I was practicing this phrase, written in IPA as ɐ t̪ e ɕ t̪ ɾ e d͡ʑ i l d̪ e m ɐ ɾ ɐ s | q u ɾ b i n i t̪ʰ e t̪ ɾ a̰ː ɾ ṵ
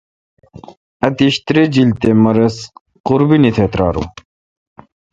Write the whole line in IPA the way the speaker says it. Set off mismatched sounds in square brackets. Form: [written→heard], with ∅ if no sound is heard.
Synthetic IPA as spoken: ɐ t̪ [e→i] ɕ t̪ ɾ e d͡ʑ i l [d̪→t̪] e m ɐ ɾ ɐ s | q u ɾ b i n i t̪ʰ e t̪ ɾ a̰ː ɾ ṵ